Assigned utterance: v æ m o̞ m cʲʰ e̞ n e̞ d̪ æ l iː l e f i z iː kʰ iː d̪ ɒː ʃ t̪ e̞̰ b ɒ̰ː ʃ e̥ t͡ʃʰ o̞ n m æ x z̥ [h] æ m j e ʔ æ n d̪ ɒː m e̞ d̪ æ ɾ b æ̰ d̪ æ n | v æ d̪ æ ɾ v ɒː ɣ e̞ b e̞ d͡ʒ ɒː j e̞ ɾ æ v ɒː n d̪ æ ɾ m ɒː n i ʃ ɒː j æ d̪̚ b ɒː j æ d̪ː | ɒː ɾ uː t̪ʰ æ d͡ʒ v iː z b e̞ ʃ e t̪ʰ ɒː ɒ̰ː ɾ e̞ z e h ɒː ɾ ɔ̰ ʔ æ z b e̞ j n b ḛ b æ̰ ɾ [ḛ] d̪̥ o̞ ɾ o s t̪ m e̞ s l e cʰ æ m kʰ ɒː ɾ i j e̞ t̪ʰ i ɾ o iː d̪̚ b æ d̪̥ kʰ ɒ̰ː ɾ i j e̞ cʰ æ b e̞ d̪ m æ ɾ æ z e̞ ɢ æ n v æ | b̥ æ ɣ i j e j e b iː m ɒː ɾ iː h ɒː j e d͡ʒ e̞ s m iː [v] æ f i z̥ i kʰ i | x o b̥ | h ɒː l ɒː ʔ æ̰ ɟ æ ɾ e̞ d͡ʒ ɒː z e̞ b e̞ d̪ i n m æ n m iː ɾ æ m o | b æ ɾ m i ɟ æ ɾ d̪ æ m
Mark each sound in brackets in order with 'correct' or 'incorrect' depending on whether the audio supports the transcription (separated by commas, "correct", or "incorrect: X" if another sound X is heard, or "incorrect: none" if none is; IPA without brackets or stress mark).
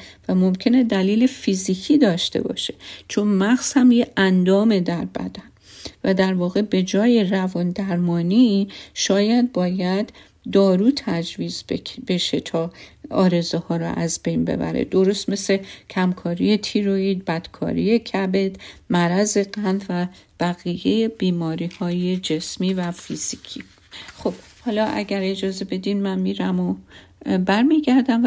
correct, correct, correct